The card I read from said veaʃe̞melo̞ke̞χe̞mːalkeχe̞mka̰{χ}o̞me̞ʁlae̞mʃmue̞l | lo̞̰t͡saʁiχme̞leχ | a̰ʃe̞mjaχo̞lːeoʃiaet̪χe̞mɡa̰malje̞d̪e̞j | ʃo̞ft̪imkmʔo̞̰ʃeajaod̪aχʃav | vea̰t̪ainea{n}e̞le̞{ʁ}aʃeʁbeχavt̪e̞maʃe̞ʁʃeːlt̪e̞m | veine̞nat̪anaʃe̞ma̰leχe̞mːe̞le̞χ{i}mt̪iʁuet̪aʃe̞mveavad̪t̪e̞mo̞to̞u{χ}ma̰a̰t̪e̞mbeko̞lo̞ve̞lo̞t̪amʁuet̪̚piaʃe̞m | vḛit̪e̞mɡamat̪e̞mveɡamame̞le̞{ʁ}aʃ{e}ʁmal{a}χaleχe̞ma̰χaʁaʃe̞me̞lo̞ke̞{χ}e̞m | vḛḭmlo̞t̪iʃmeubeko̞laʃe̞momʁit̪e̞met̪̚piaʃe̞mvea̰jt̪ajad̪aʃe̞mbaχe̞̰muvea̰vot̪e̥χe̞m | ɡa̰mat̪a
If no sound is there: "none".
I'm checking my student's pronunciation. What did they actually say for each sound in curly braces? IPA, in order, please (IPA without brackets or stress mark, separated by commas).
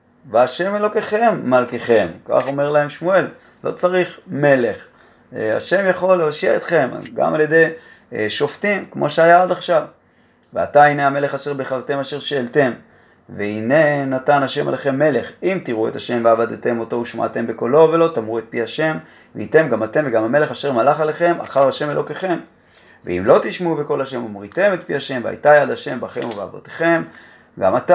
χ, m, χ, i, ʃ, χ, e, a, χ